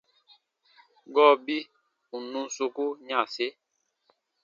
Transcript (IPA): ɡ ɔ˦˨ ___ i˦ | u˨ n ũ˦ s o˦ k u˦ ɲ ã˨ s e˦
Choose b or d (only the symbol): b